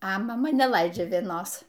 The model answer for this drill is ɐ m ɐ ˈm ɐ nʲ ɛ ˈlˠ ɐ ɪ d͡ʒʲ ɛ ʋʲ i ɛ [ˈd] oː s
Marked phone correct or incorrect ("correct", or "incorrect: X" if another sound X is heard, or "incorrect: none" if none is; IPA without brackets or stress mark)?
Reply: incorrect: n